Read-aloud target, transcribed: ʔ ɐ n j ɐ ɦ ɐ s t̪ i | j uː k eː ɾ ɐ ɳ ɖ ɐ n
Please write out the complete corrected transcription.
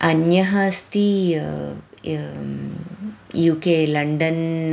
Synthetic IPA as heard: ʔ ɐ n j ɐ ɦ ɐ s t̪ i | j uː k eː l ɐ ɳ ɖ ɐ n